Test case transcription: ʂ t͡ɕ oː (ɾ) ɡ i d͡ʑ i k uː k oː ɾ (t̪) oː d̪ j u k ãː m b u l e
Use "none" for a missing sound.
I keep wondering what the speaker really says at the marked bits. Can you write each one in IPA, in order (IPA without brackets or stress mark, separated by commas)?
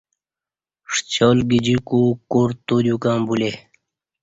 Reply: l, t̪